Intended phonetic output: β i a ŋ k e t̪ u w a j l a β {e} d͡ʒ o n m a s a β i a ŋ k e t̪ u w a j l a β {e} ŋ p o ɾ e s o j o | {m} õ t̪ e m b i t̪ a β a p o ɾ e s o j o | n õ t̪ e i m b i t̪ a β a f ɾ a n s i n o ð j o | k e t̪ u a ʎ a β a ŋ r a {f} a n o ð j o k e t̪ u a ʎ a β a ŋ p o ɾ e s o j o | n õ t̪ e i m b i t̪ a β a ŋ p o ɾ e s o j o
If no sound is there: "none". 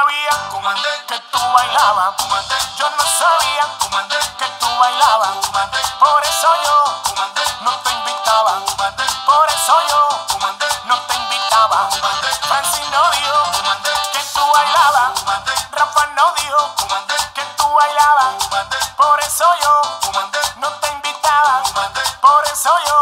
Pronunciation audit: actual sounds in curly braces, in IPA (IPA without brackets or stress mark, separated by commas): a, a, n, f